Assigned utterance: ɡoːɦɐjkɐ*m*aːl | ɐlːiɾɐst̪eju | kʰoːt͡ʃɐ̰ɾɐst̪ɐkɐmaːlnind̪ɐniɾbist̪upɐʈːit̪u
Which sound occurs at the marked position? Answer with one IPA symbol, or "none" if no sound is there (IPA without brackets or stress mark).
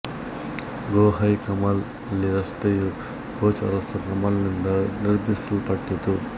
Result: m